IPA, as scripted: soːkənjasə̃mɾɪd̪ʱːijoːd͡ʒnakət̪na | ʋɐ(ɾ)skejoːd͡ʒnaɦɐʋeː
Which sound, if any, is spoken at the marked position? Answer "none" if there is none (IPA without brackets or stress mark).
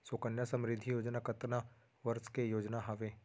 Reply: ɾ